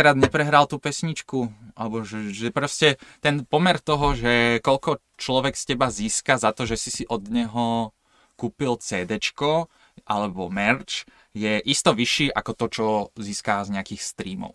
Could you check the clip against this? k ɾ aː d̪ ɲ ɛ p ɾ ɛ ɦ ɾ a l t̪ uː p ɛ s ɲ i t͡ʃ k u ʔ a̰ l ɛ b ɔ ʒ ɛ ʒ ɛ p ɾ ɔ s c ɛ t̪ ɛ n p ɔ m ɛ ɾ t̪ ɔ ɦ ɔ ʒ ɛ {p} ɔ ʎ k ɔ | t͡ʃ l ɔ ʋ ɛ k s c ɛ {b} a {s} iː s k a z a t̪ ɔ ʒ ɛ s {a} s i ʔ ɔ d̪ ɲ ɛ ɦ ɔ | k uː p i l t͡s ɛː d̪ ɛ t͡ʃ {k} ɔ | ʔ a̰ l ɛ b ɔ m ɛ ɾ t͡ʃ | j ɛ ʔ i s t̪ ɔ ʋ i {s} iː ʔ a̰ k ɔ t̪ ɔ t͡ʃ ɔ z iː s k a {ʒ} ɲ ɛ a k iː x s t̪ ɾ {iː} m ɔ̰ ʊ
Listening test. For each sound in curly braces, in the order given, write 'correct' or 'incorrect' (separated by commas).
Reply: incorrect, correct, incorrect, incorrect, correct, incorrect, incorrect, correct